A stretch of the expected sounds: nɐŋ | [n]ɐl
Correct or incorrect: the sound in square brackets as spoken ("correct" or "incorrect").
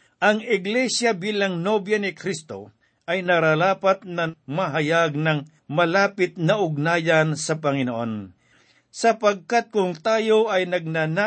incorrect